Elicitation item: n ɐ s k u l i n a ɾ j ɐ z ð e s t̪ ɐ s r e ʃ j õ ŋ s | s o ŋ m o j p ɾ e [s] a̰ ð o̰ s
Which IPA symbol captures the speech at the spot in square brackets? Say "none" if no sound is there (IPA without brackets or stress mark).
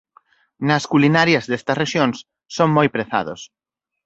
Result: θ